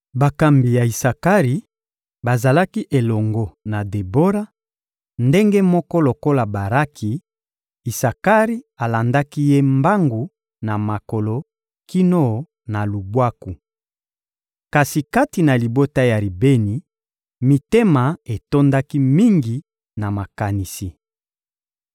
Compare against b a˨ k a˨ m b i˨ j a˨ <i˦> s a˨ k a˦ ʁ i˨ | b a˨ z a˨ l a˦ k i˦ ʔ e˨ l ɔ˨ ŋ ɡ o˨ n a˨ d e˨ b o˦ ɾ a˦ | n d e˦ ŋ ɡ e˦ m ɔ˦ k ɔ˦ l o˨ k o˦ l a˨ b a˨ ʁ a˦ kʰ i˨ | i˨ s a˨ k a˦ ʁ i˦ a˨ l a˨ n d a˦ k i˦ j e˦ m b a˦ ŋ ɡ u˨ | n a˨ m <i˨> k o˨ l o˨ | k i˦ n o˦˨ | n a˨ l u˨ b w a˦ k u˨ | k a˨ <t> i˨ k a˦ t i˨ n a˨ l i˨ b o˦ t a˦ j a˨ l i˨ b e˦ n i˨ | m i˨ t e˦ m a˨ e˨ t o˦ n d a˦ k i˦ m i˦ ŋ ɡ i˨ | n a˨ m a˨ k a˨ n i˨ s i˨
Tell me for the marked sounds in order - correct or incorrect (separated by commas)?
incorrect, incorrect, incorrect